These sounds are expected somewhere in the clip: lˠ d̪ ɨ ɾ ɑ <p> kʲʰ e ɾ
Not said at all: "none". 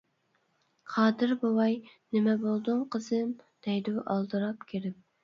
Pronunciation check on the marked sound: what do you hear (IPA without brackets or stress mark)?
p